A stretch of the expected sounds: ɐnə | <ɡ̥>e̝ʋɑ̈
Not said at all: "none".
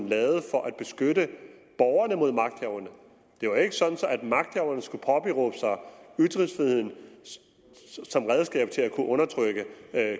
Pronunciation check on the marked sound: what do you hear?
d̥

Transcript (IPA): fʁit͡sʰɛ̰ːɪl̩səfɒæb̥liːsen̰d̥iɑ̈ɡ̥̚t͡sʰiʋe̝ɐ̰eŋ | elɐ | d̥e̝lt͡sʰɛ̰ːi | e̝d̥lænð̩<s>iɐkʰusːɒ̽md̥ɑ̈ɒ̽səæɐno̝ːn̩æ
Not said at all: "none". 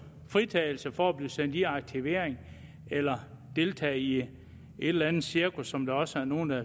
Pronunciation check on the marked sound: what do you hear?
s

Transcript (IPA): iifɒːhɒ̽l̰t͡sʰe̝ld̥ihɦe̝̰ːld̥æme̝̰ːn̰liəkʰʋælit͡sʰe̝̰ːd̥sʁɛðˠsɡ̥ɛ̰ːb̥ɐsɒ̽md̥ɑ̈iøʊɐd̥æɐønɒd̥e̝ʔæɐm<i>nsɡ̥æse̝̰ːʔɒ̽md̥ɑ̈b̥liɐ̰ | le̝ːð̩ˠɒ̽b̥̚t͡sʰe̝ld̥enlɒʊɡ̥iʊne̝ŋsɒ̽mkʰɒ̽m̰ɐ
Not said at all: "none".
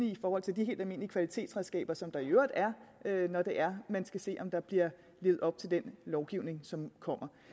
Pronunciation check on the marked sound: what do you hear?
æ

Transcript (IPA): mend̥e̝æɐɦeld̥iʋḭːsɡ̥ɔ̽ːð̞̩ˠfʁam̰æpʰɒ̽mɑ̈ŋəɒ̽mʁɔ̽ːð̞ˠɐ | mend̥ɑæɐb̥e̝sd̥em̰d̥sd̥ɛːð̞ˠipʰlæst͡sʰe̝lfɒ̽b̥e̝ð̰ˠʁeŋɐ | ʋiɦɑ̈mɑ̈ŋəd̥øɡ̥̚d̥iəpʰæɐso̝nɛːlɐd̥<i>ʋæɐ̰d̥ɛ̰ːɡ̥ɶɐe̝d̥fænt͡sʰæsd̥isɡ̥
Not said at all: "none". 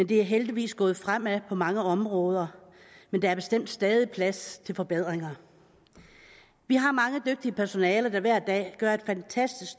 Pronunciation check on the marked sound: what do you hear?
æ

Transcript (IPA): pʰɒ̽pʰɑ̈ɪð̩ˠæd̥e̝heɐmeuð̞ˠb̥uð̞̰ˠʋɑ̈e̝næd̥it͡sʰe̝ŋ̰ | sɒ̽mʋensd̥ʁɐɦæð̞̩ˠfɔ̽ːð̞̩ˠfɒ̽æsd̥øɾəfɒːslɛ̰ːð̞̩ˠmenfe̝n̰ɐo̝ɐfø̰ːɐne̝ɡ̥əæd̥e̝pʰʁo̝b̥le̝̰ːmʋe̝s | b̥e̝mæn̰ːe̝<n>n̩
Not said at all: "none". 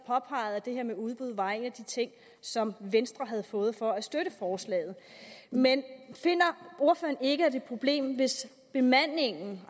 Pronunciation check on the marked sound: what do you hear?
ŋ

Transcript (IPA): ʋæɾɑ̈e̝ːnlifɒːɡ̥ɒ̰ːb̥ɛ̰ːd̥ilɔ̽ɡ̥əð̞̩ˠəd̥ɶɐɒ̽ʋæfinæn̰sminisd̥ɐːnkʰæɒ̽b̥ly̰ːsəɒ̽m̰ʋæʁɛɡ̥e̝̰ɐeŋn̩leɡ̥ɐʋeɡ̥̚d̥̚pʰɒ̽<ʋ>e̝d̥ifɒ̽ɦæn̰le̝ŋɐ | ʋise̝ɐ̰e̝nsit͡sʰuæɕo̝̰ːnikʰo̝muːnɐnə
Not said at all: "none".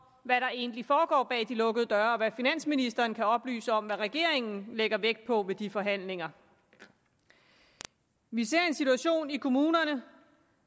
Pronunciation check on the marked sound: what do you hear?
ʋ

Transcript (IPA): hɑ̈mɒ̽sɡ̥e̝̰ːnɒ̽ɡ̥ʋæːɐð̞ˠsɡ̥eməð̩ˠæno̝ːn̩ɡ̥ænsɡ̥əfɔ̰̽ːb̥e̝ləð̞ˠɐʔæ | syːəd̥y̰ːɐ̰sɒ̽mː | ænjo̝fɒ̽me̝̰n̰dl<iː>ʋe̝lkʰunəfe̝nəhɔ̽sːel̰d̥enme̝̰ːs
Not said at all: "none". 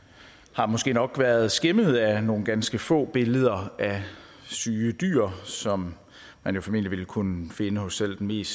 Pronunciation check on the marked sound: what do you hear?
i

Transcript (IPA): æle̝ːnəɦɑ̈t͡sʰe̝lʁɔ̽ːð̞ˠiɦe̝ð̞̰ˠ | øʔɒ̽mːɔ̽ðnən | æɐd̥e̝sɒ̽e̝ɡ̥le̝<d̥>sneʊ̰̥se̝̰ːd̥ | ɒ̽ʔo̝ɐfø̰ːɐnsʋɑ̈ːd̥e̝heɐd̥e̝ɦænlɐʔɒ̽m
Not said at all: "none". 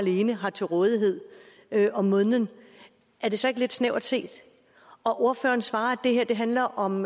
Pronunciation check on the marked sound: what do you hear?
d̥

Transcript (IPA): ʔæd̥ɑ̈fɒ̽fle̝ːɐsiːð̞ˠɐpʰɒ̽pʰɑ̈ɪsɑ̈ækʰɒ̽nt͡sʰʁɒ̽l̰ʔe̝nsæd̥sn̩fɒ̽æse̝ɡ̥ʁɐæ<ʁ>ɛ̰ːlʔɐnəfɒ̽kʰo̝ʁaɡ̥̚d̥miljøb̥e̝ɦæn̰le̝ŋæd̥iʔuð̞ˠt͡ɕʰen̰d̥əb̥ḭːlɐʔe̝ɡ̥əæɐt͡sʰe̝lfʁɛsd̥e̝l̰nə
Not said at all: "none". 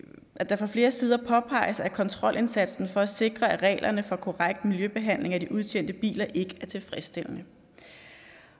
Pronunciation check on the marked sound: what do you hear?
ʁ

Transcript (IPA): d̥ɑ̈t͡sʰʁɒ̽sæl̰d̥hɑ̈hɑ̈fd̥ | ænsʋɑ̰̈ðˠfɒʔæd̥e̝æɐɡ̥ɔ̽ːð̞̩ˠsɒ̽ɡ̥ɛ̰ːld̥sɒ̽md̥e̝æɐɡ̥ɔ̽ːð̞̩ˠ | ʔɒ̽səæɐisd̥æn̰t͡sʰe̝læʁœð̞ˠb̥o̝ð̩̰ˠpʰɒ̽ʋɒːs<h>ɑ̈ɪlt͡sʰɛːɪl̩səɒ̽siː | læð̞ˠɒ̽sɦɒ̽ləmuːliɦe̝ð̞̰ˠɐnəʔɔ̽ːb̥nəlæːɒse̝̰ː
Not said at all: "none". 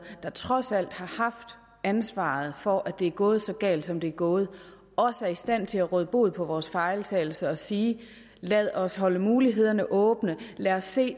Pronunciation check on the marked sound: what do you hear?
f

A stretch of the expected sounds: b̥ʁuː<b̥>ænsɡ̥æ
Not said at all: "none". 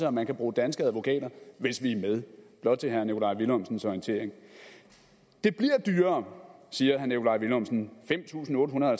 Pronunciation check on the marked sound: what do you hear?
d̥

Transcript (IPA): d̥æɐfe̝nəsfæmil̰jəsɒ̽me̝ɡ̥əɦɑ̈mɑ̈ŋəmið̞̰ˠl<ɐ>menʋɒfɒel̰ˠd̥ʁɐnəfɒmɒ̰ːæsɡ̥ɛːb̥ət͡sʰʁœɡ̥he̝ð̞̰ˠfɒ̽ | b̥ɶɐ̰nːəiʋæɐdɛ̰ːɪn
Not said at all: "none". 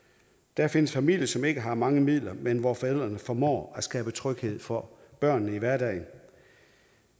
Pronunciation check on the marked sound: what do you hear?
ɐ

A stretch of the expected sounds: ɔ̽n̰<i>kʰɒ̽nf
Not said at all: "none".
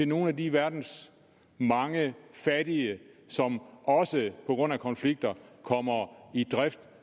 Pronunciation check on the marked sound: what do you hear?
æ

